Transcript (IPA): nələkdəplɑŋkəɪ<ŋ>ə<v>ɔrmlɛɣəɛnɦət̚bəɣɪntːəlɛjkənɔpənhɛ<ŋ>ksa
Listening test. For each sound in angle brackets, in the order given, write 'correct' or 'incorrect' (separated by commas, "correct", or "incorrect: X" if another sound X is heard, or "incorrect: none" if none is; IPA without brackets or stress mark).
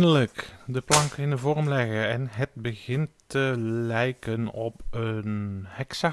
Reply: incorrect: n, correct, incorrect: none